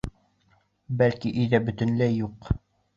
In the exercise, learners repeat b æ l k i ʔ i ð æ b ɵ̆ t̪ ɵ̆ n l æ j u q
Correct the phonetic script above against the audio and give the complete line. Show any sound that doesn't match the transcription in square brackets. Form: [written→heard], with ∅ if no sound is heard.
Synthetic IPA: b æ l k i ʔ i ð æ b ɵ̆ t̪ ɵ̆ n l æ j u q